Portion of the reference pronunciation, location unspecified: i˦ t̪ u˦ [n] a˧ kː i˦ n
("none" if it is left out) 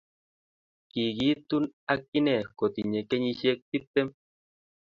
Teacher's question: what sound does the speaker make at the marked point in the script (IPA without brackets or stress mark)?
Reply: n